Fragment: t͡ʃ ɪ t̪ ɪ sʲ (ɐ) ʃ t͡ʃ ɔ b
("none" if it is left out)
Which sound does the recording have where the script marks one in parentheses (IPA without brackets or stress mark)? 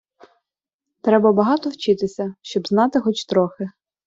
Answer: ɐ